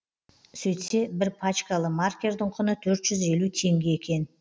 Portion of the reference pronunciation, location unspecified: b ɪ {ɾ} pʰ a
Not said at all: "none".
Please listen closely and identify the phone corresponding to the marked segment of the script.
ɾ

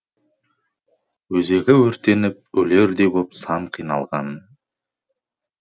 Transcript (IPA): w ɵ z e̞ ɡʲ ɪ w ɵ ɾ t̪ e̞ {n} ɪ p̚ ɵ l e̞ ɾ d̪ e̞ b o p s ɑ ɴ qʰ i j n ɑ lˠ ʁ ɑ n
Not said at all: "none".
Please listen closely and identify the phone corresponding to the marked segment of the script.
n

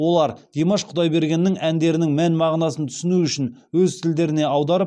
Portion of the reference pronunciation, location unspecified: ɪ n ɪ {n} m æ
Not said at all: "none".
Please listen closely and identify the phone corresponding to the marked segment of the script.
ŋ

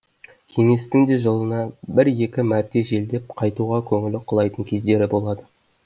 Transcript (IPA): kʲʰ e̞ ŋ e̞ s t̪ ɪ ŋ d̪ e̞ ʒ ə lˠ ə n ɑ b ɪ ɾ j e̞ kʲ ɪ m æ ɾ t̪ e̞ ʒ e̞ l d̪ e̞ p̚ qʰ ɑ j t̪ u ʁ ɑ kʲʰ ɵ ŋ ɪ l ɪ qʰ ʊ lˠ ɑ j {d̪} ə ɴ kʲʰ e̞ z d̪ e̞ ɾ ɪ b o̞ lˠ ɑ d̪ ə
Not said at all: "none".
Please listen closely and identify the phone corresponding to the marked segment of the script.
t̪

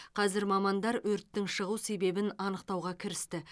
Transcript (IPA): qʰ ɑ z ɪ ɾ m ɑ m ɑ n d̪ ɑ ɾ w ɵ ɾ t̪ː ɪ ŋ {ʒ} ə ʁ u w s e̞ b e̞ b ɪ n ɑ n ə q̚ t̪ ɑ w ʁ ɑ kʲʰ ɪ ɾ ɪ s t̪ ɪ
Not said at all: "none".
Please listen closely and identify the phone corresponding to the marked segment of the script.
ʃ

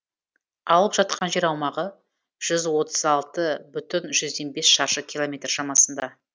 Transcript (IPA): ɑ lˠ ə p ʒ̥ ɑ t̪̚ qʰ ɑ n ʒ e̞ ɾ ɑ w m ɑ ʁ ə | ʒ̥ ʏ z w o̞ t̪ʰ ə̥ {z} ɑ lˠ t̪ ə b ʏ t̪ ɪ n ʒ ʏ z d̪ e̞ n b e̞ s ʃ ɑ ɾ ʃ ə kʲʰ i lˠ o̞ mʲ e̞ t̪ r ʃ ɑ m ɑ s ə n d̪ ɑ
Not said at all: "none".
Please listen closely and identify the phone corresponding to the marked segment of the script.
z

